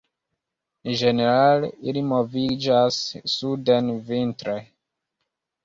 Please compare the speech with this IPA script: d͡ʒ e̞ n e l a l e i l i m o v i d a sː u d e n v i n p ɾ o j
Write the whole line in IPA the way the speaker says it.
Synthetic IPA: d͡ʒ e̞ n e ɾ a l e i l i m o v i d͡ʒ a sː u d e n v i n t ɾ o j